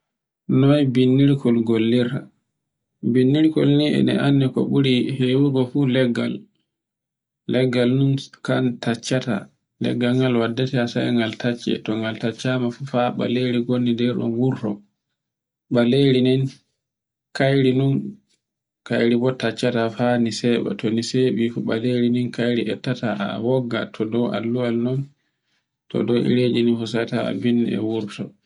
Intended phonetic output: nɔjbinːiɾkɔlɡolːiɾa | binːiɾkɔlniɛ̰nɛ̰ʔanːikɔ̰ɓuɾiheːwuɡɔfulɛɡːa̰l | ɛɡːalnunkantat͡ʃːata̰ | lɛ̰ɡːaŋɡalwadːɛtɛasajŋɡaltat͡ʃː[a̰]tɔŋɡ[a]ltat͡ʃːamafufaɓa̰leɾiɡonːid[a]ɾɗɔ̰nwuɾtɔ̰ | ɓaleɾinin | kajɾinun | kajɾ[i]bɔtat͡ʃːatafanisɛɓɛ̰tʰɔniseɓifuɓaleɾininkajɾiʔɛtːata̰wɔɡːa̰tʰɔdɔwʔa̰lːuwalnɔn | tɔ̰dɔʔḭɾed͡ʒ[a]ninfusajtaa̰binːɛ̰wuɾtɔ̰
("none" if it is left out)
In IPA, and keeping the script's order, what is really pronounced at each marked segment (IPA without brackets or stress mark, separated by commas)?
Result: ɛ̰, a, ɛ, i, i